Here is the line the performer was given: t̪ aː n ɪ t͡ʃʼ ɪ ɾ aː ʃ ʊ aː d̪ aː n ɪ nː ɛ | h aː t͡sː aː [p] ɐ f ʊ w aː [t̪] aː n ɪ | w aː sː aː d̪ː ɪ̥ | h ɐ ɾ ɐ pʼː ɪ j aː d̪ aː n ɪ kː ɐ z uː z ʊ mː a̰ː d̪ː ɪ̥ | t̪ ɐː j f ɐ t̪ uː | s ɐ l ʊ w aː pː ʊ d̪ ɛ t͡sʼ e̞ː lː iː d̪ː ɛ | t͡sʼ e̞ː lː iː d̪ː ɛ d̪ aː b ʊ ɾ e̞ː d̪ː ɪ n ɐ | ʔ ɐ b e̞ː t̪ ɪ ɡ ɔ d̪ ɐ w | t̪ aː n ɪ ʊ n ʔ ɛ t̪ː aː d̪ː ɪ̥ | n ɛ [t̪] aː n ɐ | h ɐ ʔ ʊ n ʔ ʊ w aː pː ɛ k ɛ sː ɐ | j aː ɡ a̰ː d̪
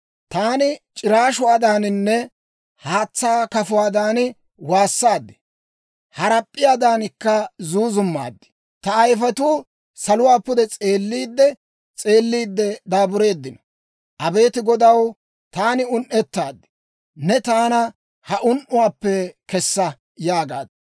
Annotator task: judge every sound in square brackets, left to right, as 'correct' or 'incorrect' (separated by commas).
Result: incorrect, incorrect, correct